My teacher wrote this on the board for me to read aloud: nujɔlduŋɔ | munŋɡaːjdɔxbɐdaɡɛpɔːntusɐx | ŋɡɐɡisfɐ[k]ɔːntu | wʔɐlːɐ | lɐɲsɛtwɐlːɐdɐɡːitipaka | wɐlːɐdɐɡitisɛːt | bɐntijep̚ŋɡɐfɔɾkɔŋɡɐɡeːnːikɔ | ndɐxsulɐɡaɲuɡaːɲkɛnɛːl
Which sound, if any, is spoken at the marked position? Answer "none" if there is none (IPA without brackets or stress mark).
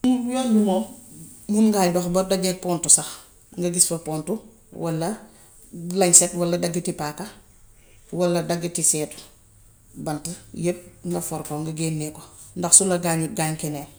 p